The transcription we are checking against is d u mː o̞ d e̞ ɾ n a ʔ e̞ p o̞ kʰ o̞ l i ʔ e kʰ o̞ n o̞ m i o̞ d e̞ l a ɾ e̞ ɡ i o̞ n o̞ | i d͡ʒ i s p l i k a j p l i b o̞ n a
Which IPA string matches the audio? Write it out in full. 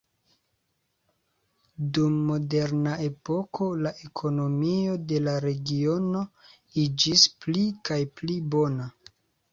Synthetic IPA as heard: d u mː o̞ d e̞ ɾ n a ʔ e̞ p o̞ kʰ o̞ l a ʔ e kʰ o̞ n o̞ m i o̞ d e̞ l a ɾ e̞ ɡ i o̞ n o̞ | i d͡ʒ i s p l i k a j p l i b o̞ n a